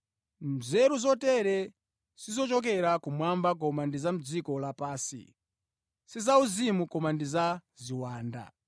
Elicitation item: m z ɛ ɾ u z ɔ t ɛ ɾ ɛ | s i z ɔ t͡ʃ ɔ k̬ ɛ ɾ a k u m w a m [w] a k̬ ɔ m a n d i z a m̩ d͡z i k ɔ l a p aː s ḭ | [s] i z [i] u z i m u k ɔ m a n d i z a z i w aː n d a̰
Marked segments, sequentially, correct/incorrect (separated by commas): incorrect, correct, incorrect